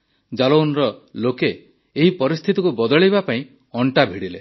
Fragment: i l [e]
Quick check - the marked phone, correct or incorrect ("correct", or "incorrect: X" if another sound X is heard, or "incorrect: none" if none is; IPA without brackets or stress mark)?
correct